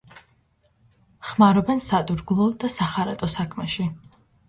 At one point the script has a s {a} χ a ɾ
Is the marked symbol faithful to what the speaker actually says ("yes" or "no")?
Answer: yes